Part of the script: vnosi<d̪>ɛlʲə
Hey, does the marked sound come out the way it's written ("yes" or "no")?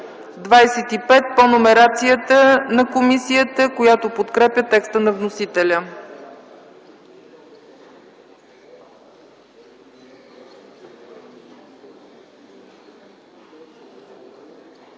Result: no